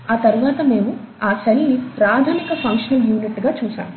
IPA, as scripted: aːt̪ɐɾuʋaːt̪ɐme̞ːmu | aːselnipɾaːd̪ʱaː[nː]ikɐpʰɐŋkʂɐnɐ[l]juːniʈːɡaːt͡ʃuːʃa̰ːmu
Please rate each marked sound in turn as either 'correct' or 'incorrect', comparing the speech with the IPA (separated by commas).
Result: incorrect, correct